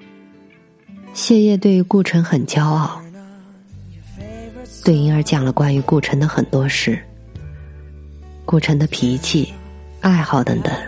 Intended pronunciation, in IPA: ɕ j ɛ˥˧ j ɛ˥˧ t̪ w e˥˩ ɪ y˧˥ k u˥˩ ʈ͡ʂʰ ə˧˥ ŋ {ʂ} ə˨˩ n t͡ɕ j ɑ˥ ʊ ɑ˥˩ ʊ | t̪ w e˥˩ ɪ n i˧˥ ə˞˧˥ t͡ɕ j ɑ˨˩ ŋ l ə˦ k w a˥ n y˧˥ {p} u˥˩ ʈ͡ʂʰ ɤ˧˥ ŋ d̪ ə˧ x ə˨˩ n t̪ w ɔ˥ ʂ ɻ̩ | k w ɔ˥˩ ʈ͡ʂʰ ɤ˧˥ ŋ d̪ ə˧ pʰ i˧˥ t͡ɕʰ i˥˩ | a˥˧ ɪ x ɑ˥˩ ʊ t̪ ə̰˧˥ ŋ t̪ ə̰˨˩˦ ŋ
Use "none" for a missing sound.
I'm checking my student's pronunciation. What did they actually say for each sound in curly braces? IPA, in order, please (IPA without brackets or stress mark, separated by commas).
x, k